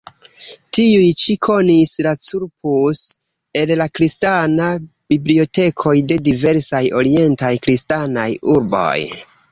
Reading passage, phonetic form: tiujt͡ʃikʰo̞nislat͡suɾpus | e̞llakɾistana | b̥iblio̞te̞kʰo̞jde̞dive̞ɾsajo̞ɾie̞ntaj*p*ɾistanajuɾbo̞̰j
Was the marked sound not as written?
yes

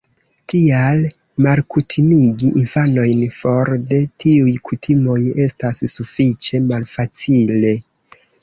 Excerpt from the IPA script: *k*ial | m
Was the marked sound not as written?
yes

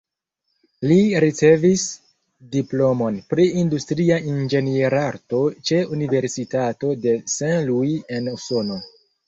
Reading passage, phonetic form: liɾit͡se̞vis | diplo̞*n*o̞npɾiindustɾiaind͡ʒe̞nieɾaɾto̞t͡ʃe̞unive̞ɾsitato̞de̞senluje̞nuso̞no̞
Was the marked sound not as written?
yes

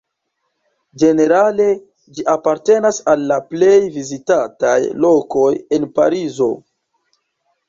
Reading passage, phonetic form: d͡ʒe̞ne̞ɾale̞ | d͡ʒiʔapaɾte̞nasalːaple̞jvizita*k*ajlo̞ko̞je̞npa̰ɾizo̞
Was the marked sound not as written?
yes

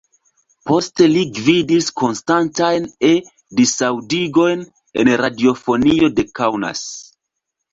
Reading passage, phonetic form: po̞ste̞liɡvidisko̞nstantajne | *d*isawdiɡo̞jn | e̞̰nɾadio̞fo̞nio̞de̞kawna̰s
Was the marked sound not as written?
no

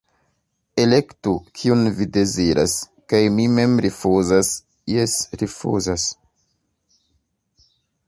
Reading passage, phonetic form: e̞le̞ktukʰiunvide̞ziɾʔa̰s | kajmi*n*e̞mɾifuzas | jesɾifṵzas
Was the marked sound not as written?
yes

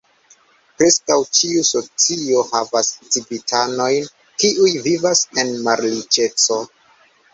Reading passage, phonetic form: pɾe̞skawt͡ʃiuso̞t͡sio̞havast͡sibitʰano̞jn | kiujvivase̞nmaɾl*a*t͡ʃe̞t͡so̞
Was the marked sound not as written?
yes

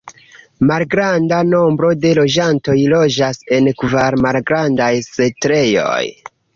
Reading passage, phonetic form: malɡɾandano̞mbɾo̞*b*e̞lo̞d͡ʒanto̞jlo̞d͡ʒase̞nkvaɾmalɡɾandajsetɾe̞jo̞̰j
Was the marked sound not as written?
yes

